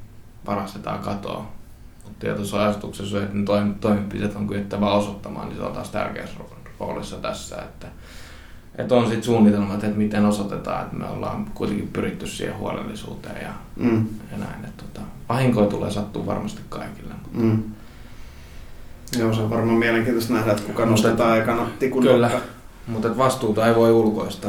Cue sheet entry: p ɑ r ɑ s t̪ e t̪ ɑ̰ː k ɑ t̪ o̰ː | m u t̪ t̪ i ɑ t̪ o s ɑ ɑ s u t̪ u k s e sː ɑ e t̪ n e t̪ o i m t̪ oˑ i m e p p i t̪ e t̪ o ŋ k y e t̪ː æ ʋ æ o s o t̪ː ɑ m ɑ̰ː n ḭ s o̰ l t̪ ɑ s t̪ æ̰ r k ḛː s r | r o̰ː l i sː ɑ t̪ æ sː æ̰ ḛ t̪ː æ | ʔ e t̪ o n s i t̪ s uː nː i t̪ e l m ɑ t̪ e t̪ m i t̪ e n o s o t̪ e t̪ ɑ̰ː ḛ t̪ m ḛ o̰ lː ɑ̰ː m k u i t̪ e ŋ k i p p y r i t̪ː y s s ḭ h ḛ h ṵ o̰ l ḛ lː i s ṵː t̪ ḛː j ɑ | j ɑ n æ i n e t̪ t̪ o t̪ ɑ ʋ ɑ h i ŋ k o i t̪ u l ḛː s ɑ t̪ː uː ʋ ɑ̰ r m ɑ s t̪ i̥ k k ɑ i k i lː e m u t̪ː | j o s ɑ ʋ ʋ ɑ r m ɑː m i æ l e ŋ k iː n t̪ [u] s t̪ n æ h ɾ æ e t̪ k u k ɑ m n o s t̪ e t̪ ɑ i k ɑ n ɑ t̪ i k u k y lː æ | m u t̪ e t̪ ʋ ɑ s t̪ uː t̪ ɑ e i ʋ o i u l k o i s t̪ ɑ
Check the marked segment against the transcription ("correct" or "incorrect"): incorrect